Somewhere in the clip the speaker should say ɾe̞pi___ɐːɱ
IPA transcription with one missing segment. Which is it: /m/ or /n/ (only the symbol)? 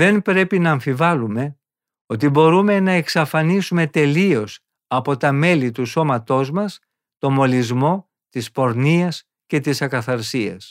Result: n